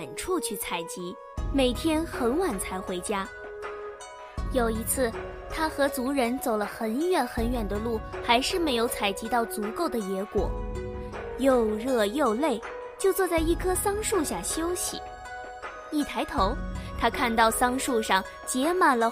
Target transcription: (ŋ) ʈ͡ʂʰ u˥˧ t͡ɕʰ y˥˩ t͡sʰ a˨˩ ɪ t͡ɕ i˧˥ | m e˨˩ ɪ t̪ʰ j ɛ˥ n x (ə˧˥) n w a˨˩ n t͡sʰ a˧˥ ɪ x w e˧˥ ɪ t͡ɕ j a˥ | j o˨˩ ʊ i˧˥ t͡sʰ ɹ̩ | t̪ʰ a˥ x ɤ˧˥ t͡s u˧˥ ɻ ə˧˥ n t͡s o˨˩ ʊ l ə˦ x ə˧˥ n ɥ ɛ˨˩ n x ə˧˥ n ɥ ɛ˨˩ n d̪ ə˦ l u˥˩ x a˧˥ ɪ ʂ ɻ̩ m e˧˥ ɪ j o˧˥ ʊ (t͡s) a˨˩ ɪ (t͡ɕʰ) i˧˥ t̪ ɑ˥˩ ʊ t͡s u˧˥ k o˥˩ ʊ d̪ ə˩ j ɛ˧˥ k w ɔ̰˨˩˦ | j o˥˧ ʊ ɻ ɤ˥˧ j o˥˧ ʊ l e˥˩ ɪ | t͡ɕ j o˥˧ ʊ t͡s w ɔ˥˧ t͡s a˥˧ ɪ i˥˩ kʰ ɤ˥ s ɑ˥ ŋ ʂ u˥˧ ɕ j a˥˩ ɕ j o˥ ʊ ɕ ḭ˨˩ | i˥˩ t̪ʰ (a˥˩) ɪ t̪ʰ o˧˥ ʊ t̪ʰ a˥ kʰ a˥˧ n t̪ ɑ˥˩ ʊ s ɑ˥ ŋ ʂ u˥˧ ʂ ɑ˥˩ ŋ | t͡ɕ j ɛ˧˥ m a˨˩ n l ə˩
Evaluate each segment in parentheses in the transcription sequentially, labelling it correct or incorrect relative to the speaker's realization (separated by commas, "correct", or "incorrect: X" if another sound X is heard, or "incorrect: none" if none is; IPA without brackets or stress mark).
incorrect: n, correct, incorrect: t͡sʰ, incorrect: t͡ɕ, incorrect: a˧˥